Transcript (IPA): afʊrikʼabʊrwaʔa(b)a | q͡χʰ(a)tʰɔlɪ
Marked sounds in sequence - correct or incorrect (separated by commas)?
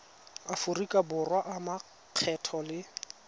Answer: incorrect, incorrect